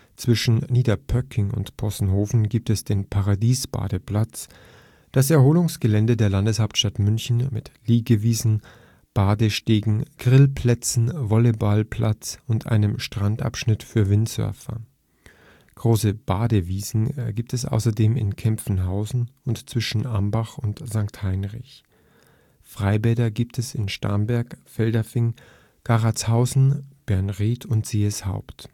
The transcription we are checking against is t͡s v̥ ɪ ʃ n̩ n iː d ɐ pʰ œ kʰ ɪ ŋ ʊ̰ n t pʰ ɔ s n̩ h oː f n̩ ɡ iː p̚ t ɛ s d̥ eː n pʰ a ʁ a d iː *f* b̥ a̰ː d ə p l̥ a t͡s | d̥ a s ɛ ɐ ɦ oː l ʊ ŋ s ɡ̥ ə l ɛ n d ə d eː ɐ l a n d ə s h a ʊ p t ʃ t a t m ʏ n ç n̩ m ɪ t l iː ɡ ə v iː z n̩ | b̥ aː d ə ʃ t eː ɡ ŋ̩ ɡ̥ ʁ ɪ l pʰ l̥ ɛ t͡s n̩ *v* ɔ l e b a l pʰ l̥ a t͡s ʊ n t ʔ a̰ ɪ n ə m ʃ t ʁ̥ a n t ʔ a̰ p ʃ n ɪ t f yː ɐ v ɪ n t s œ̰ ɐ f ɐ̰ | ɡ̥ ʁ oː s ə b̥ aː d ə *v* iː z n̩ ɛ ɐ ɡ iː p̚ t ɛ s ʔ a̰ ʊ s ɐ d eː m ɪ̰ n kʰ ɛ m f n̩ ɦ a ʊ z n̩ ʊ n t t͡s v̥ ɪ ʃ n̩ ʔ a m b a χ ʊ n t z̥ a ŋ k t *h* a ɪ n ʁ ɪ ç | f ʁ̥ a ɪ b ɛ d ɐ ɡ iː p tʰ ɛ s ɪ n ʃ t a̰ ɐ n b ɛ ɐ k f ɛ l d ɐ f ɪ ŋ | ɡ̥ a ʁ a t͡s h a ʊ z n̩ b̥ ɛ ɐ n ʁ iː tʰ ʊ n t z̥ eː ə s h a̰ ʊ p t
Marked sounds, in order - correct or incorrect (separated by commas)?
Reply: incorrect, correct, correct, correct